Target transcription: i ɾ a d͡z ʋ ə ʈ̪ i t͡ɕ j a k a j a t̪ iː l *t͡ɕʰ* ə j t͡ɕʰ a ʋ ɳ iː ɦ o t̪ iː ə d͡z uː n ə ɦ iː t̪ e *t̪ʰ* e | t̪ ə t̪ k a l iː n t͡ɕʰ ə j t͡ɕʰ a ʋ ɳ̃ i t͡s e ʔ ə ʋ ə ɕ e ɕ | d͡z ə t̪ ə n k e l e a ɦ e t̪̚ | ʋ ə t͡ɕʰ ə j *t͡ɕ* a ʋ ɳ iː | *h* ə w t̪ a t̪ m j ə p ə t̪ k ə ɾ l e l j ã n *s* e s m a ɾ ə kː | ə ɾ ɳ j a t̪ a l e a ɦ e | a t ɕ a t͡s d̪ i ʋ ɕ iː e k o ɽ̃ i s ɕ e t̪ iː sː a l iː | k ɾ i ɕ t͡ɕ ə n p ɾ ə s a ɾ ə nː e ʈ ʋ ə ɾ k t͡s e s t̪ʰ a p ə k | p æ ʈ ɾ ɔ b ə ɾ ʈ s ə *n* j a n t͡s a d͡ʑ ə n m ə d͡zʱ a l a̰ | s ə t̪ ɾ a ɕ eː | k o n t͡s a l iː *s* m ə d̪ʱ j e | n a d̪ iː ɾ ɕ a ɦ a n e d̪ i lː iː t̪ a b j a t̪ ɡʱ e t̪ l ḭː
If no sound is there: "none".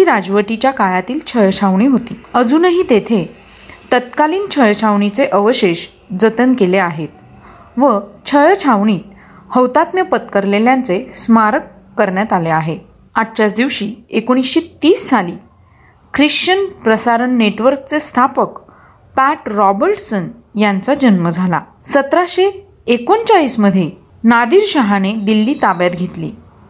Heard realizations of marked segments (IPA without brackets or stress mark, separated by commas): t͡ɕʰ, t̪ʰ, t͡ɕʰ, h, t͡s, n, s